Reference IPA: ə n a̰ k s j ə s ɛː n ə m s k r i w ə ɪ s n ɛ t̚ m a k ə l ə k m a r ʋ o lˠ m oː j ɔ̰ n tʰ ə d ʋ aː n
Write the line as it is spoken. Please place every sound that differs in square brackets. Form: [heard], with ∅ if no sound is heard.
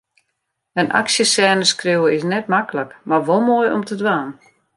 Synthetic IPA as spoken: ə n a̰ k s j ə s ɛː n ə [∅] s k r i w ə ɪ s n ɛ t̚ m a k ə l ə k m a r ʋ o lˠ m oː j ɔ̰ [m] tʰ ə d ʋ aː n